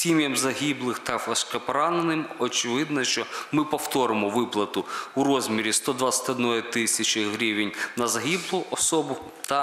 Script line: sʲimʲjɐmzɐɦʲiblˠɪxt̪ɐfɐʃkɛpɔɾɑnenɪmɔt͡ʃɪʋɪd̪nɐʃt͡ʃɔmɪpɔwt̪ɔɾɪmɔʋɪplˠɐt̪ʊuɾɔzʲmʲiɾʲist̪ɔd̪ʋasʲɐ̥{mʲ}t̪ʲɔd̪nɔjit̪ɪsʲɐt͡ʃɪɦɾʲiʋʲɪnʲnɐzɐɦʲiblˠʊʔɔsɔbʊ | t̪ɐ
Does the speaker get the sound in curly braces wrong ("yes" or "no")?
yes